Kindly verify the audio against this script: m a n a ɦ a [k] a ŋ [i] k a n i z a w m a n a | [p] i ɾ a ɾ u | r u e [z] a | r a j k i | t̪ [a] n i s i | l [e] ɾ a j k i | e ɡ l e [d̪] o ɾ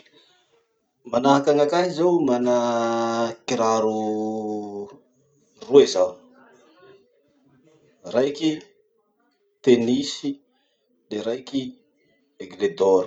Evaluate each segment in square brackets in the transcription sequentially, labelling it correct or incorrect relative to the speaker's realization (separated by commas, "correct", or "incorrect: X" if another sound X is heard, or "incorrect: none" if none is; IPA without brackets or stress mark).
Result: correct, incorrect: a, incorrect: k, correct, incorrect: e, correct, correct